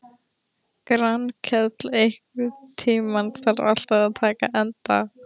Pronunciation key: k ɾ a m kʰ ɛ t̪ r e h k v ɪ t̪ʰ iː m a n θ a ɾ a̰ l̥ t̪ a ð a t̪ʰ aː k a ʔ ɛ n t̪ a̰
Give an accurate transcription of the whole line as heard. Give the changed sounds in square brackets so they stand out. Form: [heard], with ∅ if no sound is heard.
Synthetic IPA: k ɾ a [n] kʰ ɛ t̪ [l] e h k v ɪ t̪ʰ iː m a n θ a ɾ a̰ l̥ t̪ a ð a t̪ʰ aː k a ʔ ɛ n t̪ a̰